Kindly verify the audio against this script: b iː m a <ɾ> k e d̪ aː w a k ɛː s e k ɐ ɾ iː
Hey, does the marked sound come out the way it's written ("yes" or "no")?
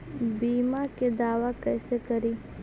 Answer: no